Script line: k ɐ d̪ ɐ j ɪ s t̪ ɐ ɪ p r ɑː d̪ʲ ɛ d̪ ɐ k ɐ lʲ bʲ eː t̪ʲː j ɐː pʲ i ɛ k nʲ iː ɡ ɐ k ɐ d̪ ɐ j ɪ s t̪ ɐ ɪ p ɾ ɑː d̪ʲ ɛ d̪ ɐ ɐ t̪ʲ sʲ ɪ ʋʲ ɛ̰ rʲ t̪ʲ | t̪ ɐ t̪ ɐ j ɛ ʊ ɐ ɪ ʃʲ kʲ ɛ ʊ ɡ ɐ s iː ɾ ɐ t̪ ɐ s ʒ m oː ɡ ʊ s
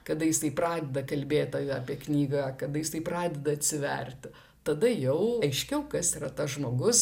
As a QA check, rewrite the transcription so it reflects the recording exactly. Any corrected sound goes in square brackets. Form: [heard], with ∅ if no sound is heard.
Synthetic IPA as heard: k ɐ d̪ ɐ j ɪ s t̪ ɐ ɪ p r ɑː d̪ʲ ɛ d̪ ɐ k ɐ lʲ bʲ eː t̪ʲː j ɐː pʲ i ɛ k nʲ iː ɡ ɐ k ɐ d̪ ɐ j ɪ s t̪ ɐ ɪ p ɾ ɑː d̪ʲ ɛ d̪ ɐ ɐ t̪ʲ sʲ ɪ ʋʲ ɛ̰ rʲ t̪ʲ | t̪ ɐ [d̪] ɐ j ɛ ʊ ɐ ɪ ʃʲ kʲ ɛ ʊ [k] ɐ s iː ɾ ɐ t̪ ɐ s ʒ m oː ɡ ʊ s